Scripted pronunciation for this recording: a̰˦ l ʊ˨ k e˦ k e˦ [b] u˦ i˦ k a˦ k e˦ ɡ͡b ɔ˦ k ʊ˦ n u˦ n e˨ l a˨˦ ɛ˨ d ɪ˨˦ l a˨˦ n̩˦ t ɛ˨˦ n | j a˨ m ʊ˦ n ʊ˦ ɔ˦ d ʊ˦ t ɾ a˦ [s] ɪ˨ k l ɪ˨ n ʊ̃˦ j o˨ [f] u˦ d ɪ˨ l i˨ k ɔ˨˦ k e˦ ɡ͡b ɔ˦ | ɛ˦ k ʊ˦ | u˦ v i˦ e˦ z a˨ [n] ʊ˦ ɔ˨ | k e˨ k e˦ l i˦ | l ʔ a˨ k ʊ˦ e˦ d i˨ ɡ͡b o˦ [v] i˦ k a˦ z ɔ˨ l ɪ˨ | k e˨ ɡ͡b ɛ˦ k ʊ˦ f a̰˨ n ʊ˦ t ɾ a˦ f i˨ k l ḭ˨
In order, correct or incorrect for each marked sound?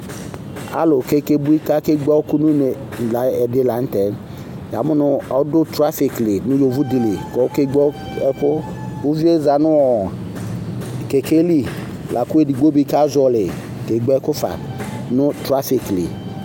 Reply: correct, incorrect: f, incorrect: v, correct, incorrect: b

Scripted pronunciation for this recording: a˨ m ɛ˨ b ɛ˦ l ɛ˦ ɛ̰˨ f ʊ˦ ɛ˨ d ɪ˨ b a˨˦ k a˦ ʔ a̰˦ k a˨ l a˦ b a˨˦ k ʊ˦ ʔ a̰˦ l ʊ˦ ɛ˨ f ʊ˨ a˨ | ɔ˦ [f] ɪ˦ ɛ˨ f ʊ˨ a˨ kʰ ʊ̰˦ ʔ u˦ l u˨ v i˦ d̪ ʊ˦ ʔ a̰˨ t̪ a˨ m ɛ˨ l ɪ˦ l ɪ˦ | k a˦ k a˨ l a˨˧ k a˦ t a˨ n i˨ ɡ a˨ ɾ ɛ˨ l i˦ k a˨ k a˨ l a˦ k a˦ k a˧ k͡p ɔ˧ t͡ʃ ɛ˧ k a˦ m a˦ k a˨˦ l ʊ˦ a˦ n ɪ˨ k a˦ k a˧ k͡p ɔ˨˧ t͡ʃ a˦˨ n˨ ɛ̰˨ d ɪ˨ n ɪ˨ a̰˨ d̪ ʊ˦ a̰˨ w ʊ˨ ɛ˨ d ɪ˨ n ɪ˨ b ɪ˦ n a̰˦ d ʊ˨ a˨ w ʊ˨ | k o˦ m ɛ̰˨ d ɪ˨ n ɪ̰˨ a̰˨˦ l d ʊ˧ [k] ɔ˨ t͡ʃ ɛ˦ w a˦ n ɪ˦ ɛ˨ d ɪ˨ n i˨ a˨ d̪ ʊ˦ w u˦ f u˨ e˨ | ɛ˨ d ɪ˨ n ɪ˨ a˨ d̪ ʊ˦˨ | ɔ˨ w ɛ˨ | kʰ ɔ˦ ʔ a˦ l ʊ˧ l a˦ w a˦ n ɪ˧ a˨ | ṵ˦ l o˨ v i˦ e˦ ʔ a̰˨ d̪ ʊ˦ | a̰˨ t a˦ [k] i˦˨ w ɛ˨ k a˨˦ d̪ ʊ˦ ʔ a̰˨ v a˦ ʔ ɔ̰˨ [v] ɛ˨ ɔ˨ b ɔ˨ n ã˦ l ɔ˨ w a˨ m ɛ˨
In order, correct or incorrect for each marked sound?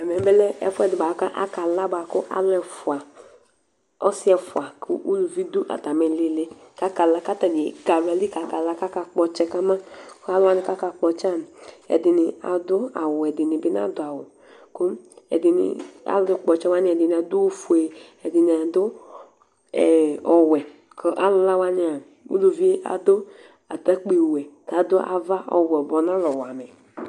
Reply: incorrect: s, incorrect: k͡p, incorrect: k͡p, incorrect: w

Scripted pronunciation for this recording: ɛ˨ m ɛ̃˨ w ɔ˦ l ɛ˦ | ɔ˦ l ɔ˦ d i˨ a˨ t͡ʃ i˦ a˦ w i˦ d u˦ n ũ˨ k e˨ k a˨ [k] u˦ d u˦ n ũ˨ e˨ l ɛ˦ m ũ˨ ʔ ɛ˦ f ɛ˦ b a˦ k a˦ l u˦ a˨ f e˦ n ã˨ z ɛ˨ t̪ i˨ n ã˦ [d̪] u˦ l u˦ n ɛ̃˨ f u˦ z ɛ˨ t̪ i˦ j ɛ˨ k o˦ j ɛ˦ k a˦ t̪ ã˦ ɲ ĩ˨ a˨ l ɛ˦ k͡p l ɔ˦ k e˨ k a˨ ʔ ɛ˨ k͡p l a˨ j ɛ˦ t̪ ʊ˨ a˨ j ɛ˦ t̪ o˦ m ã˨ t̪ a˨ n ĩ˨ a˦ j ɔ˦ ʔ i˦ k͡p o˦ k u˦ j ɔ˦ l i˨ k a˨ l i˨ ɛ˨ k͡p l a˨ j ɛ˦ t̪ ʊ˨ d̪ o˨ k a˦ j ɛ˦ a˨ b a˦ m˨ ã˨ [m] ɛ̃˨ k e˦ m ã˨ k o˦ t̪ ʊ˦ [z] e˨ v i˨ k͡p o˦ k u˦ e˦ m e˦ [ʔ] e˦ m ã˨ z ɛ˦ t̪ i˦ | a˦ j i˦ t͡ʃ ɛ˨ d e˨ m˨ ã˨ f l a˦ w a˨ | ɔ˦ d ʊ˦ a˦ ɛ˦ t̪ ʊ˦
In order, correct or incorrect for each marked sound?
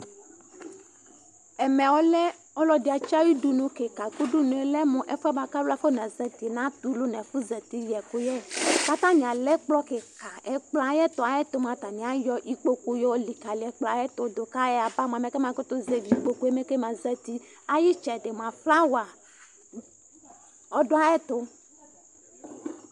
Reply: correct, incorrect: t̪, correct, correct, incorrect: k

